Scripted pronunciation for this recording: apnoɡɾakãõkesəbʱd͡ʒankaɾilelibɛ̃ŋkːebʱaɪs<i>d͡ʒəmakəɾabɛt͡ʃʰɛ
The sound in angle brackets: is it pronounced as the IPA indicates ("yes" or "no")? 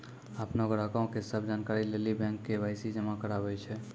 yes